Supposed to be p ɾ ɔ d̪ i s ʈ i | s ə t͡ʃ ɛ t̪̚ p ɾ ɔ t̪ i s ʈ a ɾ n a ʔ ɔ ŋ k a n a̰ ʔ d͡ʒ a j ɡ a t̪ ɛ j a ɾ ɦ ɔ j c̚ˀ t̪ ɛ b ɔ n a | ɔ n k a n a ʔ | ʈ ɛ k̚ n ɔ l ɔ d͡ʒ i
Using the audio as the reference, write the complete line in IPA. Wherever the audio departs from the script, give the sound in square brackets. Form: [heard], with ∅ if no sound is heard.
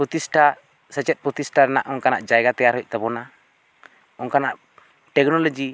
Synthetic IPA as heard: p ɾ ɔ [t̪] i s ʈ [a] | s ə t͡ʃ ɛ t̪̚ p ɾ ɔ t̪ i s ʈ a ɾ n a ʔ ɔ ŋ k a n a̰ ʔ d͡ʒ a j ɡ a t̪ ɛ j a ɾ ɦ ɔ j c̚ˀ t̪ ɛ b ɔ n a | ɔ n k a n a ʔ | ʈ ɛ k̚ n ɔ l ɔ d͡ʒ i